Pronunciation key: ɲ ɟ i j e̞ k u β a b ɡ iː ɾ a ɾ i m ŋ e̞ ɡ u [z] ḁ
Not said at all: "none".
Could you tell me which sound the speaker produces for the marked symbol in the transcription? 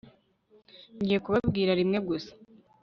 s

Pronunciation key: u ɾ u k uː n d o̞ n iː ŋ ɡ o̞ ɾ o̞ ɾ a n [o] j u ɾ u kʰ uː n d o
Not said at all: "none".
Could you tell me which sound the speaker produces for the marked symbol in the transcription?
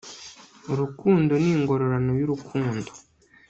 o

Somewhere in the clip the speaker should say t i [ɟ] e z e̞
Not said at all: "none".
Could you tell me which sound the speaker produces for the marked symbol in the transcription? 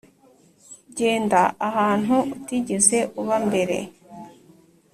ɟ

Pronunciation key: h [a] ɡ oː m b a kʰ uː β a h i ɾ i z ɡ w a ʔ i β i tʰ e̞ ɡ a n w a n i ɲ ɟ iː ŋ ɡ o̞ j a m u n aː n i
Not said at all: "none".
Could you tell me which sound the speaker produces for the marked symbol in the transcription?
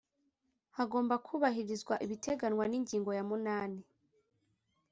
a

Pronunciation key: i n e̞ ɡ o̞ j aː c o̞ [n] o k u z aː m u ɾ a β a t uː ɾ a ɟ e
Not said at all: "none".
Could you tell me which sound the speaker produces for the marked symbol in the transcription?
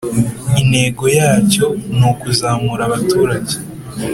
n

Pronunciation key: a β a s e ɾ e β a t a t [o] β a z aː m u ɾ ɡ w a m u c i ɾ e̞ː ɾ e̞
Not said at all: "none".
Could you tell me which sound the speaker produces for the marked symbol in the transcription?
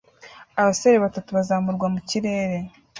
u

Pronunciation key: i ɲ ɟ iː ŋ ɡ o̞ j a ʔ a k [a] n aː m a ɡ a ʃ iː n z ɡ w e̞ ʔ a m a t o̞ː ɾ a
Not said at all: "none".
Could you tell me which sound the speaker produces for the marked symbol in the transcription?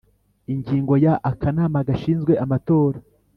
a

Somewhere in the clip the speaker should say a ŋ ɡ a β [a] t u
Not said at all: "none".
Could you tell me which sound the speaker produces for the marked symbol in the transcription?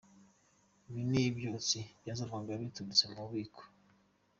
i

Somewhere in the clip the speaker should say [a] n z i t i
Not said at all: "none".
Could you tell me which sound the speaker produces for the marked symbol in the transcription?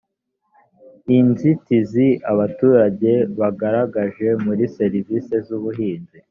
i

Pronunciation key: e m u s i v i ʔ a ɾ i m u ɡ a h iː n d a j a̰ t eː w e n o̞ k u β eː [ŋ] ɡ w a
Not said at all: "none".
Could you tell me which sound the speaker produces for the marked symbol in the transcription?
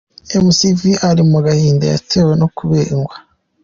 ŋ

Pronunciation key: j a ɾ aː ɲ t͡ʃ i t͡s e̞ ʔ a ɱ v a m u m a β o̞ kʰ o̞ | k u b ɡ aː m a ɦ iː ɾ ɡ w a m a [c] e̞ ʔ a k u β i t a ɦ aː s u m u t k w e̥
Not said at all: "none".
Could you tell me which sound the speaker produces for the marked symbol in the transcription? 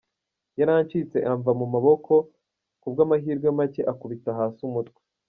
c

